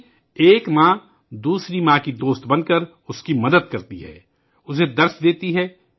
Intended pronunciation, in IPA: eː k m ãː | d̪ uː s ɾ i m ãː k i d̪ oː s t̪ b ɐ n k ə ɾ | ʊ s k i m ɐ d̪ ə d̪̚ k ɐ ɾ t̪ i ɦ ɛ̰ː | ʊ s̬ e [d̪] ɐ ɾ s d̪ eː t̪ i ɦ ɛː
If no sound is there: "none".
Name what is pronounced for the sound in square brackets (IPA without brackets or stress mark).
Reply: d̪